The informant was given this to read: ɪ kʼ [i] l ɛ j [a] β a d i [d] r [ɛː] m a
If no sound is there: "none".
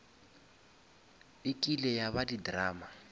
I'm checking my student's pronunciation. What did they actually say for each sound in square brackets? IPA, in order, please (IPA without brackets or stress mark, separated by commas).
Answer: i, a, d, aː